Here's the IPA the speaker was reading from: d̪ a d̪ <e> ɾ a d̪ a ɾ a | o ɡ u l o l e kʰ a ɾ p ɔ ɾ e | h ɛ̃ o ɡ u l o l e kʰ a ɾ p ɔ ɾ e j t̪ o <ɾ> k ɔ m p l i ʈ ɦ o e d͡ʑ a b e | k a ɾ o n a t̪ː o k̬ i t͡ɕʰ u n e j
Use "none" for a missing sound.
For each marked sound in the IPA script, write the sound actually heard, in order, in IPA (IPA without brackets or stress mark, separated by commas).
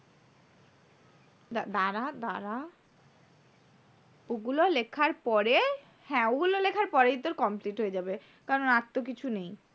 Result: a, ɾ